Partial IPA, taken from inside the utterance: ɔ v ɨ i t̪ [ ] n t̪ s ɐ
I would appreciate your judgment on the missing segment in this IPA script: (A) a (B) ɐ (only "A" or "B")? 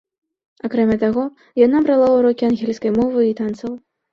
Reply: A